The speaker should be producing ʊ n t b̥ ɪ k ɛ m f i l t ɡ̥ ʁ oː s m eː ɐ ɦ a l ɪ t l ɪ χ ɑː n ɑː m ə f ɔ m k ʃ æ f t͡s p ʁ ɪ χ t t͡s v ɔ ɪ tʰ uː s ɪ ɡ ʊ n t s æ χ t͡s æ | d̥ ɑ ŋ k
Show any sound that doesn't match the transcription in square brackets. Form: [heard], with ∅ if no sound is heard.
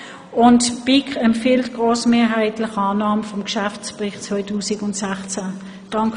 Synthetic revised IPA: ʊ n t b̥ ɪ k ɛ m f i l t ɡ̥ ʁ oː s m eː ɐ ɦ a [∅] ɪ t l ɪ χ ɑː n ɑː m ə f ɔ m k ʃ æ f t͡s p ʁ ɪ χ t t͡s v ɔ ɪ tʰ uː s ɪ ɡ ʊ n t s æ χ t͡s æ | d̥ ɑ ŋ k